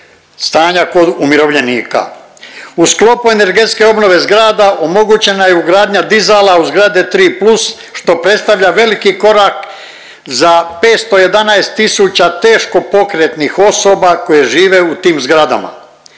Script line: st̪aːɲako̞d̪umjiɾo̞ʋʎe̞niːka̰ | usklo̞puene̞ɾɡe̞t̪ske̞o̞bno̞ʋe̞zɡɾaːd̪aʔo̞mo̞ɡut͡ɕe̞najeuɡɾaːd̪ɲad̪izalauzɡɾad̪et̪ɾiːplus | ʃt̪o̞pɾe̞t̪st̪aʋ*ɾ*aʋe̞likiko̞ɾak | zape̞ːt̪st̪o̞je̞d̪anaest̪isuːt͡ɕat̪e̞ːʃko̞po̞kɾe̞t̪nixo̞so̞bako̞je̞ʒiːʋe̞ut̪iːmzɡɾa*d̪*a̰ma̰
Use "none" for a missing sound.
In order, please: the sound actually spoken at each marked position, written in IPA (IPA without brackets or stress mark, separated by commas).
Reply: ʎ, d̪